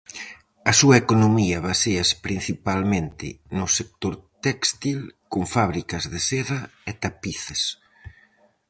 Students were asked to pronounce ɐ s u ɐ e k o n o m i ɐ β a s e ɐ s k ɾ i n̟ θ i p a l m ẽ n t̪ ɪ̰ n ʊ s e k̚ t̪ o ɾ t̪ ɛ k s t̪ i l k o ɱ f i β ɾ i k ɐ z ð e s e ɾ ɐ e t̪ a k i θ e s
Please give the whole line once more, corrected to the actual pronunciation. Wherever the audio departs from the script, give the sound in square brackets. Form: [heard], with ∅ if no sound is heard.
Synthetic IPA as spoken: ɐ s u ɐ e k o n o m i ɐ β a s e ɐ s [p] ɾ i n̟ θ i p a l m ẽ n t̪ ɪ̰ n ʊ s e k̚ t̪ o ɾ t̪ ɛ k s t̪ i l k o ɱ f [a] β ɾ i k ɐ z ð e s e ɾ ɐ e t̪ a [p] i θ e s